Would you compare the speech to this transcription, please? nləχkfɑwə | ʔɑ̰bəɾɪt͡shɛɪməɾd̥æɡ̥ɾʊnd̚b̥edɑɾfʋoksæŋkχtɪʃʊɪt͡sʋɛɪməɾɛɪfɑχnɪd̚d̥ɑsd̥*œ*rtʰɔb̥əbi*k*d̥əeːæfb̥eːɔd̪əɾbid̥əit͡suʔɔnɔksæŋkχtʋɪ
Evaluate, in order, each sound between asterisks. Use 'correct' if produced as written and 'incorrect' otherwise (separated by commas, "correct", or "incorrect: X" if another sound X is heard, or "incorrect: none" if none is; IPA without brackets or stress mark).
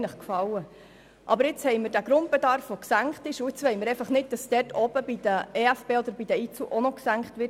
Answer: incorrect: ɛ, incorrect: none